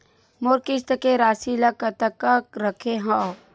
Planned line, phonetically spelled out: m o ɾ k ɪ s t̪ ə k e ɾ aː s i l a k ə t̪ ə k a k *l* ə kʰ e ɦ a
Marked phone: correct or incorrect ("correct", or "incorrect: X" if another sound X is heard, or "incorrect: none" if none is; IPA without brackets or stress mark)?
incorrect: ɾ